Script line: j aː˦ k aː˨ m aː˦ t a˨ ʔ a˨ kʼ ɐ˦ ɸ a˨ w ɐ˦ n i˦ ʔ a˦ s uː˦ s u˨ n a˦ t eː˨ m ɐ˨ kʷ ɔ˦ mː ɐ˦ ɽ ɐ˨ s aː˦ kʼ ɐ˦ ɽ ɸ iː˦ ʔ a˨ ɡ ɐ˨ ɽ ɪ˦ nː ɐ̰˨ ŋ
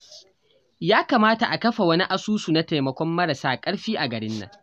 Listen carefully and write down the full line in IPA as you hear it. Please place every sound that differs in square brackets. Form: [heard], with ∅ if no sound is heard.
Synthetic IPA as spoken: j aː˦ k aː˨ m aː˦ t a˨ ʔ a˨ [k] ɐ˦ ɸ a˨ w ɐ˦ n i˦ ʔ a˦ s uː˦ s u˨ n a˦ t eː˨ m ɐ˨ kʷ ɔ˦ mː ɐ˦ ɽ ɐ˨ s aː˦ kʼ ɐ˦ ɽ ɸ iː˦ ʔ a˨ ɡ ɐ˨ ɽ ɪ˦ nː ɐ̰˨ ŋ